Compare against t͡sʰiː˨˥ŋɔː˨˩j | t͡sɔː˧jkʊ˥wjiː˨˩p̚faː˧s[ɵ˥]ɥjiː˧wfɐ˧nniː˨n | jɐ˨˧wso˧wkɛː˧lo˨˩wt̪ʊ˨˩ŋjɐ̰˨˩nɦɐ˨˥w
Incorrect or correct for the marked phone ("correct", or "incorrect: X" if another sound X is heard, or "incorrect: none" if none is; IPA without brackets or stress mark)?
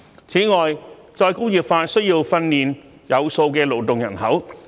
correct